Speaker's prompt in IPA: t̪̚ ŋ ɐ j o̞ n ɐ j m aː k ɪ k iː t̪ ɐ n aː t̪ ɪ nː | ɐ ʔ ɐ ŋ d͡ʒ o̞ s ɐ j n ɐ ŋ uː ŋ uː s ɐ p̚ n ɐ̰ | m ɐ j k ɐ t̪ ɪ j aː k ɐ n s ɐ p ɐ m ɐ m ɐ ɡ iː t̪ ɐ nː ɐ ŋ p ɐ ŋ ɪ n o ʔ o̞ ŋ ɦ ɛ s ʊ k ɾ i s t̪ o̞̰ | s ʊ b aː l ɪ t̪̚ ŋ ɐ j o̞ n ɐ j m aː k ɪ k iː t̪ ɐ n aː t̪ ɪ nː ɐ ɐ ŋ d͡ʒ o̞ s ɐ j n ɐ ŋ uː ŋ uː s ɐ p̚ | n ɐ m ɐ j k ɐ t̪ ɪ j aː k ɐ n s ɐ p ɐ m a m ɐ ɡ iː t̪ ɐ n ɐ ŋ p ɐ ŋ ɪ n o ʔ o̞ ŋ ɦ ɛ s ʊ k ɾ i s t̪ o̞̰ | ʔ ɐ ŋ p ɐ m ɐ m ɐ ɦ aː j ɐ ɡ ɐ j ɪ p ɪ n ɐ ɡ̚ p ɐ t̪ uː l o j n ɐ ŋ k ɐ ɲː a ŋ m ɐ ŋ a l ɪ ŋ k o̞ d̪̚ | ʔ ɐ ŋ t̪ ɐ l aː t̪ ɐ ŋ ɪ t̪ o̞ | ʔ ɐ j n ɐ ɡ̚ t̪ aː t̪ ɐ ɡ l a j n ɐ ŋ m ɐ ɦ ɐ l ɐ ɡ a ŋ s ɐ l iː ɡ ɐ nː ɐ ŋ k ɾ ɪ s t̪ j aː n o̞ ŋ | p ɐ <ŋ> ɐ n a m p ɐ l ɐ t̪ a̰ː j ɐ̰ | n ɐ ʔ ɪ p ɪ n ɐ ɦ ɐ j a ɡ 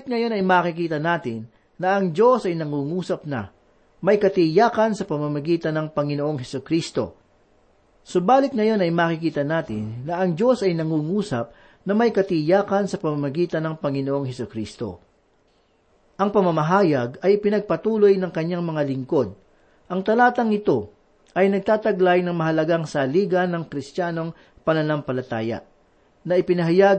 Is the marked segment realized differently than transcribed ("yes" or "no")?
yes